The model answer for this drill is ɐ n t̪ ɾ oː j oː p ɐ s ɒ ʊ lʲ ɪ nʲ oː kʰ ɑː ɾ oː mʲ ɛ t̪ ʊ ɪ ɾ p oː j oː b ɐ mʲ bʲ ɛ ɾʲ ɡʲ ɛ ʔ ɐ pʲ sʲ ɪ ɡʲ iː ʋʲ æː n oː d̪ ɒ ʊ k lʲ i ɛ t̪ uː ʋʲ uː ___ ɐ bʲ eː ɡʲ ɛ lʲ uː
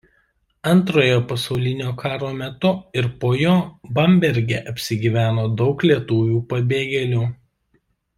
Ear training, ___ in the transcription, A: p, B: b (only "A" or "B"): A